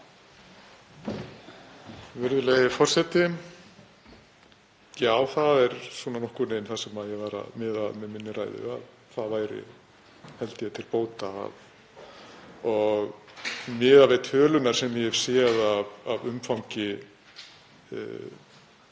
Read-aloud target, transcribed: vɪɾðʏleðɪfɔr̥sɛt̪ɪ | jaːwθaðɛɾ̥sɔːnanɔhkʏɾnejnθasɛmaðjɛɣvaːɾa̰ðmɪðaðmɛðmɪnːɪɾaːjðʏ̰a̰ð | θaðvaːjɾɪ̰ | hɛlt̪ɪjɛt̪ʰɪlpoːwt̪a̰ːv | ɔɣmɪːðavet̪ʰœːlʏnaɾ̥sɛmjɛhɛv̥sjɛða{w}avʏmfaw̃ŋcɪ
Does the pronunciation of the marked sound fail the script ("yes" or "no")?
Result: yes